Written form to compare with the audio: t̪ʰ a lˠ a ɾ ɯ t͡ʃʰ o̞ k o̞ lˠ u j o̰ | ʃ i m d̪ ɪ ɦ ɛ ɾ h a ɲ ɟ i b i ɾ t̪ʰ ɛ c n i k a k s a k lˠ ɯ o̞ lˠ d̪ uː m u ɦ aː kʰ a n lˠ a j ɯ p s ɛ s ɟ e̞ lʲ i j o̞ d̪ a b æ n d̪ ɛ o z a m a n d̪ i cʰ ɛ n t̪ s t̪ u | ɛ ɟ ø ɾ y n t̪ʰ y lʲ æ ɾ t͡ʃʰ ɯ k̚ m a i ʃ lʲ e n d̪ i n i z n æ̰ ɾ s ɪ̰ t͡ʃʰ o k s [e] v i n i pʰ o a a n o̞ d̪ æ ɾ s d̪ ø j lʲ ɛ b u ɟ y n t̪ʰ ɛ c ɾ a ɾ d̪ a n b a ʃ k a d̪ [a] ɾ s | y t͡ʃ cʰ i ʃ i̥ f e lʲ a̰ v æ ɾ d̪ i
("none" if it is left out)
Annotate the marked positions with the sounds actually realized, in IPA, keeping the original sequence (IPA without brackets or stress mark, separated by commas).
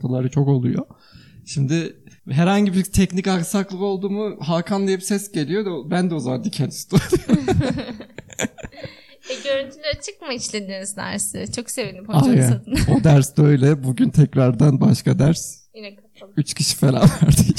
e, æ